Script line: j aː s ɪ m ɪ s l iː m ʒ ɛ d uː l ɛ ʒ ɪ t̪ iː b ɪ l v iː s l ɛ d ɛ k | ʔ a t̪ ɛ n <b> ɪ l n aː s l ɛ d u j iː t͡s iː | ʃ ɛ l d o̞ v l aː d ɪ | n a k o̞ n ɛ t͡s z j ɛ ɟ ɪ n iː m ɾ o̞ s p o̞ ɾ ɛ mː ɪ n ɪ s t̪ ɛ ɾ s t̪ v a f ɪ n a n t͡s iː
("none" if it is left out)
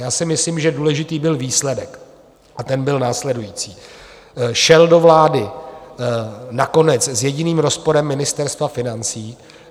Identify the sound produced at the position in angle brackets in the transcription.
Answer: b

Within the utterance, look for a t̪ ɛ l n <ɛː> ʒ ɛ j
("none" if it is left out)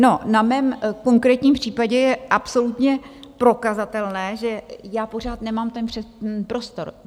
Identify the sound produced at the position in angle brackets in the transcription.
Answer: ɛː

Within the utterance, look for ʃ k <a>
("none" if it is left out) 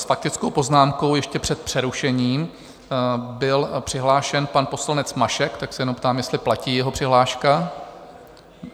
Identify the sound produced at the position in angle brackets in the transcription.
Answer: a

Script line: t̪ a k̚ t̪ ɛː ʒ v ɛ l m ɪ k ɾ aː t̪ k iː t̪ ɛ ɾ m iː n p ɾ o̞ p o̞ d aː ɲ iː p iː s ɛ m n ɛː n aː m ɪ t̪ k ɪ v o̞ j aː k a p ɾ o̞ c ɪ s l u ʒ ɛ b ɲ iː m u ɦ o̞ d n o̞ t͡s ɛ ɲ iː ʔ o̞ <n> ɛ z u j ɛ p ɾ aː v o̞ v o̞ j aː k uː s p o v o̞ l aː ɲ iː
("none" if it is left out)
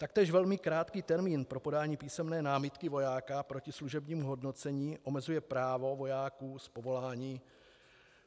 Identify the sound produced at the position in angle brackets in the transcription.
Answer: m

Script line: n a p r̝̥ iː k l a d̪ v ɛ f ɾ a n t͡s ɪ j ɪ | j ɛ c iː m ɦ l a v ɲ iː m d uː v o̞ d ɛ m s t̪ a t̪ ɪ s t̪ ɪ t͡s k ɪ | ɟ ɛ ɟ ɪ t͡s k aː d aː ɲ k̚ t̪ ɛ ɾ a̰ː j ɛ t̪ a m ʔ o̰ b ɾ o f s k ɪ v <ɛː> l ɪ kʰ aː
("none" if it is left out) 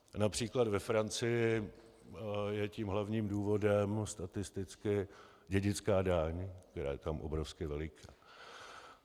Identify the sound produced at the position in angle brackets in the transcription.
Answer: ɛ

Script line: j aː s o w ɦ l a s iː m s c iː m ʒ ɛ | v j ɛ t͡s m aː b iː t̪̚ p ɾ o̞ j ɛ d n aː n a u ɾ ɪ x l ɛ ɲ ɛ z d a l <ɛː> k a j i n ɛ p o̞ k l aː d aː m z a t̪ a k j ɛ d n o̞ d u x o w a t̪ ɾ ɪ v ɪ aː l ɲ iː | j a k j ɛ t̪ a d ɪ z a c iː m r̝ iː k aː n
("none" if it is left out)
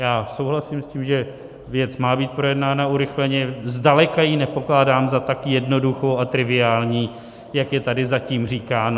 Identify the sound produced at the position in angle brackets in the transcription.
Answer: ɛ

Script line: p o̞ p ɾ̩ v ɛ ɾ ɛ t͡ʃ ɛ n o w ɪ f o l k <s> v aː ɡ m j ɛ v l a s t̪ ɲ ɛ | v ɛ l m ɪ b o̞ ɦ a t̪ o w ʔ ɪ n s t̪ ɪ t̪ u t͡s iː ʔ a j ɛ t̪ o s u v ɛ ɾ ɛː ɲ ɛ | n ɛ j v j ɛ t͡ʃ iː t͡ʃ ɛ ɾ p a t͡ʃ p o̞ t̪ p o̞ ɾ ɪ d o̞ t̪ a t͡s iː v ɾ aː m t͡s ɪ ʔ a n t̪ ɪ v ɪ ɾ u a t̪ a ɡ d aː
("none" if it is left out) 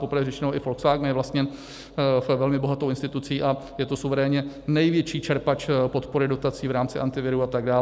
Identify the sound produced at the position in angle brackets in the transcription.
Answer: s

